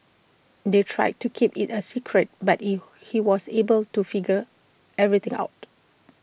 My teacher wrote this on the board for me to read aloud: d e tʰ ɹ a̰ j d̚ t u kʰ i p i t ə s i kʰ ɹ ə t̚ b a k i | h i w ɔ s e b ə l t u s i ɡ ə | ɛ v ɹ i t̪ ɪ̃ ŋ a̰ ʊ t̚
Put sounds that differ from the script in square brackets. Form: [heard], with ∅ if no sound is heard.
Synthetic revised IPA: d e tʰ ɹ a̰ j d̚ t u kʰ i p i t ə s i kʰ ɹ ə t̚ b a [t] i | h i w ɔ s e b ə l t u [f] i ɡ ə | ɛ v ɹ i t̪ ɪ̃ ŋ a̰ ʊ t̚